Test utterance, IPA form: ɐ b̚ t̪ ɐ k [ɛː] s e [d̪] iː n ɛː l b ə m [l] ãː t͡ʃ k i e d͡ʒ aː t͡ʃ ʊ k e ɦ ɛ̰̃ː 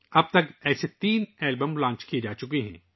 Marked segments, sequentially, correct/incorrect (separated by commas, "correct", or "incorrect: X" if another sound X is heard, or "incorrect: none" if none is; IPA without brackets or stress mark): correct, incorrect: t̪, correct